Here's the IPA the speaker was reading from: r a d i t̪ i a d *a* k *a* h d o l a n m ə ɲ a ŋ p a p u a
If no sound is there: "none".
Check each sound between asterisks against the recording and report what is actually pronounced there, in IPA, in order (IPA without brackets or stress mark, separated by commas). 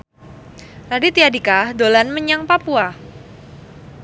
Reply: i, a